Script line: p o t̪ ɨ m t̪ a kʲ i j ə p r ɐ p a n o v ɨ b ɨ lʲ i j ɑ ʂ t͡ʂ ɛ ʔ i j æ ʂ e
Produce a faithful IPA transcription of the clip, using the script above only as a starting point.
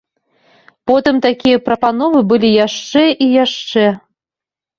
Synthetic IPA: p o t̪ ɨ m t̪ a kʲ i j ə p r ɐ p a n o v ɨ b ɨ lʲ i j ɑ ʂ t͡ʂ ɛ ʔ i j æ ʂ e